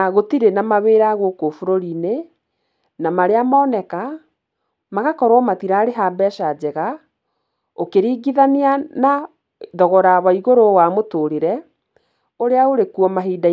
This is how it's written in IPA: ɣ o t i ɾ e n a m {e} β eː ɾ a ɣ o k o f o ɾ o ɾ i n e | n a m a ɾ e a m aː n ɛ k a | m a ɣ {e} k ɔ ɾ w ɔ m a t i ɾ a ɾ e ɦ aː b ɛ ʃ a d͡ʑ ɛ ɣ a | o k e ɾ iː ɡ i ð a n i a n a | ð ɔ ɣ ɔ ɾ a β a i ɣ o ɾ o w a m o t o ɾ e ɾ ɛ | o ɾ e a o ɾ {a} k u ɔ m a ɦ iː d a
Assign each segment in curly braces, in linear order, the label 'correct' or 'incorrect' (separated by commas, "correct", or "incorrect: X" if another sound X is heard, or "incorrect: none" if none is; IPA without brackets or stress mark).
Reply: incorrect: a, incorrect: a, incorrect: e